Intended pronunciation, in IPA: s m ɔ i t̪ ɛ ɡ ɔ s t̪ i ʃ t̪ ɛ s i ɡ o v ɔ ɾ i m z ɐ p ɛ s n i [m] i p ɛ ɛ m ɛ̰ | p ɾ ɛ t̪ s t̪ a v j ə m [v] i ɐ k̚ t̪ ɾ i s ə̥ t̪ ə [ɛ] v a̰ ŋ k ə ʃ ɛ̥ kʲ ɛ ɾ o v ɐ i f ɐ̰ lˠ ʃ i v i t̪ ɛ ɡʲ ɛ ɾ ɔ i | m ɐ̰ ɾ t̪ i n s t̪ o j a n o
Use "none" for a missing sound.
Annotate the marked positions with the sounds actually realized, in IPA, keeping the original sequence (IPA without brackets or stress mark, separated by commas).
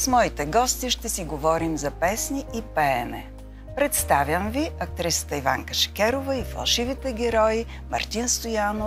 none, v, i